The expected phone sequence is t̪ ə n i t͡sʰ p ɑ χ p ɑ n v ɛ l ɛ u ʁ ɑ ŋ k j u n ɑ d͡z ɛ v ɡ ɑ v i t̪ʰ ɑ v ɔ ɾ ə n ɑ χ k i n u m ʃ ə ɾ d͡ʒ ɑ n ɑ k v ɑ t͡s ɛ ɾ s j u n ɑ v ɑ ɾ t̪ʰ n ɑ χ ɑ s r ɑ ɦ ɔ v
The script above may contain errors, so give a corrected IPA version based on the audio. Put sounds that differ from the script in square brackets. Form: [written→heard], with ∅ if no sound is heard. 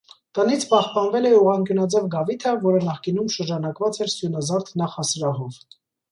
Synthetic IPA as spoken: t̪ ə n i t͡sʰ p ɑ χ p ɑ n v ɛ l ɛ u ʁ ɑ ŋ k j u n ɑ d͡z ɛ v ɡ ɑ v i t̪ʰ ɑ v ɔ ɾ ə n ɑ χ k i n u m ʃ ə ɾ d͡ʒ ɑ n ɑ k v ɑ t͡s ɛ ɾ s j u n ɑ [v→z] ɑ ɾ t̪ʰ n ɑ χ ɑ s [r→ɾ] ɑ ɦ ɔ v